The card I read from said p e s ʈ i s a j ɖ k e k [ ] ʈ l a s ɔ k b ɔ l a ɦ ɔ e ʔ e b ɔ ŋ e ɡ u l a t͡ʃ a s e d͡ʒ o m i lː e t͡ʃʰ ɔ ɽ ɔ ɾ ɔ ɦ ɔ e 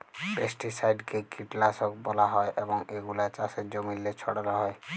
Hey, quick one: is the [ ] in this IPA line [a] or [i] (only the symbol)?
i